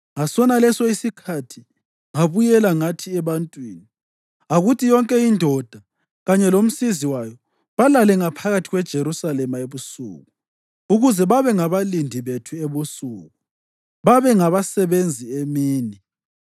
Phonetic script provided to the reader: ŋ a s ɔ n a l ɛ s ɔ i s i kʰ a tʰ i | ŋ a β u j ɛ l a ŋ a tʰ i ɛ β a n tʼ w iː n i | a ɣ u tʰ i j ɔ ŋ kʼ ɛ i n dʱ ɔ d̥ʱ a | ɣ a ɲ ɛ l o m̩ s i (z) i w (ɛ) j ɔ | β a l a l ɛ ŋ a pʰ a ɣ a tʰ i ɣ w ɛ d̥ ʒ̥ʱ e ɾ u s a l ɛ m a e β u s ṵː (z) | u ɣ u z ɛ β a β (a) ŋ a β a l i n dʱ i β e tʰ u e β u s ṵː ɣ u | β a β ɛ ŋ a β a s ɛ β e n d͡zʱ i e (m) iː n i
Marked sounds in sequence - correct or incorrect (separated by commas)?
correct, incorrect, incorrect, incorrect, correct